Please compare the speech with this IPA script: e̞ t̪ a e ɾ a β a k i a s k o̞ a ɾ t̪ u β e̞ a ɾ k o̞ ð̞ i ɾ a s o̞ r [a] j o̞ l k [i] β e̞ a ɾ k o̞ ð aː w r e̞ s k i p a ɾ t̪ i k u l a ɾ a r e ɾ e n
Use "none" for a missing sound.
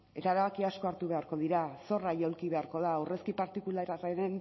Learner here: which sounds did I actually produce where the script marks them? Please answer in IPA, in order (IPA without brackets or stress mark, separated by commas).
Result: a, i